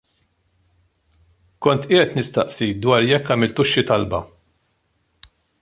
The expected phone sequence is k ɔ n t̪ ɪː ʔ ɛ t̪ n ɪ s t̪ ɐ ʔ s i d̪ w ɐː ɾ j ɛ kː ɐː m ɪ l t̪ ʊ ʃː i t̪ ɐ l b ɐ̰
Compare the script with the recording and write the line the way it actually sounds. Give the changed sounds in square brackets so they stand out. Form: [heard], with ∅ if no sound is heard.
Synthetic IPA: k ɔ n t̪ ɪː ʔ ɛ t̪ n ɪ s t̪ ɐ ʔ s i d̪ w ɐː ɾ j ɛ kː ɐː m ɪ l t̪ ʊ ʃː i t̪ ɐ l b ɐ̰